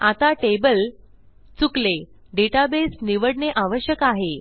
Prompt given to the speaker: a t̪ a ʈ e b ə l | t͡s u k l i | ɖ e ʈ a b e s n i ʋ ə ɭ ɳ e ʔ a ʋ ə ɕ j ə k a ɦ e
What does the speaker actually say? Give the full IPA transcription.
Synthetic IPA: a t̪ a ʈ e b ə l | t͡s u k l e | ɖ e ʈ a b e s n i ʋ ə ɽ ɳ e ʔ a ʋ ə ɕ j ə k a ɦ e